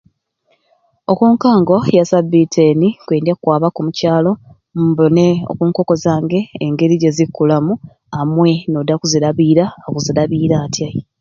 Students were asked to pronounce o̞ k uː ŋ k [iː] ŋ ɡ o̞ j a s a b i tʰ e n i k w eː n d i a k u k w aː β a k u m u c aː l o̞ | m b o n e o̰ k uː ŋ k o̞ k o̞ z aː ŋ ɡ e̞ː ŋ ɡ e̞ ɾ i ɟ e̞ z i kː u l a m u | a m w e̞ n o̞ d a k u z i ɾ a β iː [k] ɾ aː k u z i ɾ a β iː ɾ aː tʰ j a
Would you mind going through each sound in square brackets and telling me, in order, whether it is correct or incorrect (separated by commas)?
incorrect, incorrect